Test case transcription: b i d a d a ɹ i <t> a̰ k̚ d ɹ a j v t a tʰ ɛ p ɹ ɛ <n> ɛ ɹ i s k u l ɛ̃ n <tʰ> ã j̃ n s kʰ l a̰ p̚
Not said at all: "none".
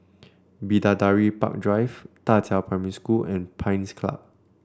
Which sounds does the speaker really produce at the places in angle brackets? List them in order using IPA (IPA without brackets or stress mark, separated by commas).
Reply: p, m, pʰ